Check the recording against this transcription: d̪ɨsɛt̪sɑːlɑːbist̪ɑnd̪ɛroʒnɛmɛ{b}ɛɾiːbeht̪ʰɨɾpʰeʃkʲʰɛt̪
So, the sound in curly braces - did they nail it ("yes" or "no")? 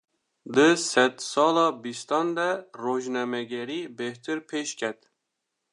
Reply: no